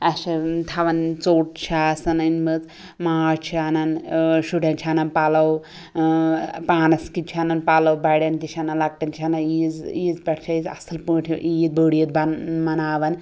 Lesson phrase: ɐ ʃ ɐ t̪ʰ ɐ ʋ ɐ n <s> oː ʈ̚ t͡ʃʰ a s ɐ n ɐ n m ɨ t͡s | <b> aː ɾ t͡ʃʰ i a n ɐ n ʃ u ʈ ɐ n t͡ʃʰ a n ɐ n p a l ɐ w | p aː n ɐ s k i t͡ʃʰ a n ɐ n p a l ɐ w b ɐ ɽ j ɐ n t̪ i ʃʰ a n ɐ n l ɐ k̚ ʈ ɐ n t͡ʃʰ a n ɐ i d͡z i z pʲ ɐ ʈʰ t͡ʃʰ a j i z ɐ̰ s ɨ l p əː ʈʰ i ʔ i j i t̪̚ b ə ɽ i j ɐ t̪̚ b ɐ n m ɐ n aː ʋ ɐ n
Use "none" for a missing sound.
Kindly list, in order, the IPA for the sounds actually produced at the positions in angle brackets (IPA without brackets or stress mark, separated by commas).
t͡s, m